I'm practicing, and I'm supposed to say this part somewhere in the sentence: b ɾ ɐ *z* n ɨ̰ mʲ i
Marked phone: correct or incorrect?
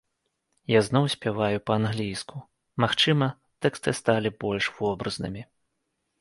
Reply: correct